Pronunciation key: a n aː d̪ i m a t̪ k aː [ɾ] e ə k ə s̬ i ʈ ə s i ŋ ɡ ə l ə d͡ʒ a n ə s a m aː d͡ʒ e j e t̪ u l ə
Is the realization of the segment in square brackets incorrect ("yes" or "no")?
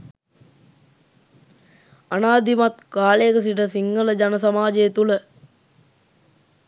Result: yes